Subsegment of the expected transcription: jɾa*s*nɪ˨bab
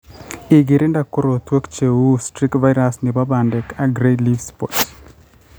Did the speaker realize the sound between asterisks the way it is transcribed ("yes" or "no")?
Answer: yes